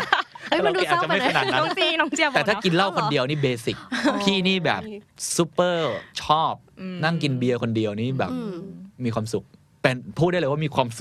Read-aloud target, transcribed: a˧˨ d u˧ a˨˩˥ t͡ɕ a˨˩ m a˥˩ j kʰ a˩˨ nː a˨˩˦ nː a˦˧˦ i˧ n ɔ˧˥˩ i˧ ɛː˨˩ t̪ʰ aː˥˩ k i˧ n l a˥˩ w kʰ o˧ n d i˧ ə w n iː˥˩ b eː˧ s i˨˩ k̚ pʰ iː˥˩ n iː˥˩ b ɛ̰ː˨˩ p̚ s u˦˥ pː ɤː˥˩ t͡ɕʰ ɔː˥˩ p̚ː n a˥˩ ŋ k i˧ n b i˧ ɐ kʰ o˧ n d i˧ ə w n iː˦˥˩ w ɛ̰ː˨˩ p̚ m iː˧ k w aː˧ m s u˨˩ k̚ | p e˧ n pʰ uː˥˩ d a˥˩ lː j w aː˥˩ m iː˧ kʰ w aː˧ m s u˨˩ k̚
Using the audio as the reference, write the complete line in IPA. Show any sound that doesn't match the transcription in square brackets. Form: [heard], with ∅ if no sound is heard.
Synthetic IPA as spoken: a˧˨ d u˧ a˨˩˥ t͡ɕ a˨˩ m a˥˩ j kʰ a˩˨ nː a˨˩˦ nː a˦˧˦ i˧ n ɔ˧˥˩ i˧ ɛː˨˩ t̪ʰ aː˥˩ k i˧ n l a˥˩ w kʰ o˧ n d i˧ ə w n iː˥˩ b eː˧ s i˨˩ k̚ pʰ iː˥˩ n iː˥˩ b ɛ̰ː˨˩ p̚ s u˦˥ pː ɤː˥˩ t͡ɕʰ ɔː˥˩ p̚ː n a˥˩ ŋ k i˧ n b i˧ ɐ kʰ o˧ n d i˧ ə w n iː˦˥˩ [b] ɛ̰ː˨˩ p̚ m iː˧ k w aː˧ m s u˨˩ k̚ | p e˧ n pʰ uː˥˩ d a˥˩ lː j w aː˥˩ m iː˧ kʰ w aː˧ m s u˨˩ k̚